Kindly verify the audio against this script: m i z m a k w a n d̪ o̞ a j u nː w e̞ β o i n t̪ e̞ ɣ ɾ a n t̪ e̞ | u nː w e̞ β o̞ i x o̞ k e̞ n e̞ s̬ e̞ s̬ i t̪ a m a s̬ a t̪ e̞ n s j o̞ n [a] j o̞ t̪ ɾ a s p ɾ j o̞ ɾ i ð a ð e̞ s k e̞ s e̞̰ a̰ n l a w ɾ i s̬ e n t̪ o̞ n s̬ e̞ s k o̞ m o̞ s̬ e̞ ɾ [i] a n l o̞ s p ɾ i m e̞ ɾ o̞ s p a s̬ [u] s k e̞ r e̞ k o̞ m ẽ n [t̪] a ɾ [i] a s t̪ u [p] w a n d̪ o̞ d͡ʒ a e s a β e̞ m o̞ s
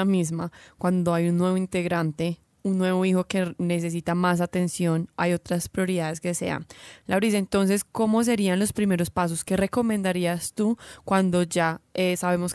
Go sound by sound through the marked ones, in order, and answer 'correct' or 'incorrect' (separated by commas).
correct, correct, incorrect, incorrect, correct, incorrect